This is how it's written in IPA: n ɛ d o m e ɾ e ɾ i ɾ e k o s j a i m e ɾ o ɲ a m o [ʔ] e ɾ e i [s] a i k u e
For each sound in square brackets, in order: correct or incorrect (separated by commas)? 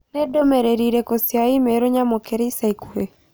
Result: incorrect, correct